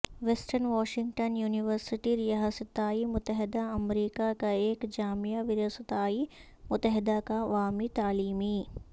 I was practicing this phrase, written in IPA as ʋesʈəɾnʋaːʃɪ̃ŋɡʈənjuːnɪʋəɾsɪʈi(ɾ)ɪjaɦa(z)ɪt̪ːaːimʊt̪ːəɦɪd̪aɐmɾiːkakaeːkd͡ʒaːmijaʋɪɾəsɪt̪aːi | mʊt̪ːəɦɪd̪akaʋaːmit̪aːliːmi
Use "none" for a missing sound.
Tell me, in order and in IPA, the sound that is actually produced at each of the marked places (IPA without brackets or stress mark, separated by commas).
ɾ, s